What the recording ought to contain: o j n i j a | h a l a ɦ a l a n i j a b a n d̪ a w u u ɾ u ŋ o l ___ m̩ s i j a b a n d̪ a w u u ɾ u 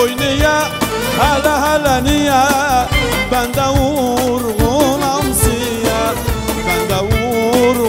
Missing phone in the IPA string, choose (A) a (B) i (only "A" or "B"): A